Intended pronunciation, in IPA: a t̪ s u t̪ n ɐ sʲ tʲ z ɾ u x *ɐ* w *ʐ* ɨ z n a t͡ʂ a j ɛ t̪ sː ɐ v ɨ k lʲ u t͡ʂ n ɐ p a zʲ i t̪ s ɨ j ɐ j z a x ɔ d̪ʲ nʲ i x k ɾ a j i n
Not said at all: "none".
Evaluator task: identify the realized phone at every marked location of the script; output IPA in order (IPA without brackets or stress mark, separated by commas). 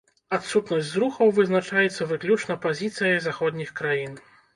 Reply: ɐ, v